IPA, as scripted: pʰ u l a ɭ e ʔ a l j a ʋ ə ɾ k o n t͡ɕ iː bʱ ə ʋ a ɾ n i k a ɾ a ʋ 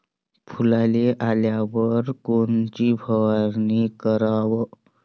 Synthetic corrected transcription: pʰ u l a l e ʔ a l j a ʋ ə ɾ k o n t͡ɕ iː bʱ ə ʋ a ɾ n i k ə ɾ a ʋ